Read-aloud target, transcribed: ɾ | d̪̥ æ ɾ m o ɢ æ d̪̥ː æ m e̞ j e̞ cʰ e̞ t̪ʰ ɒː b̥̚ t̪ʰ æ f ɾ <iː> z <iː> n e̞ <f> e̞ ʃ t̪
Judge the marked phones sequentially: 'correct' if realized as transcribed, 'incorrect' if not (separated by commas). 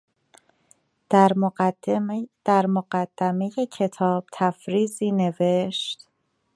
correct, correct, incorrect